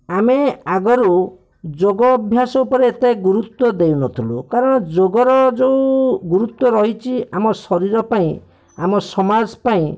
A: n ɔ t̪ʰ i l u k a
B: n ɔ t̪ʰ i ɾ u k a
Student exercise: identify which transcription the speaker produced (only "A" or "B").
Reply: A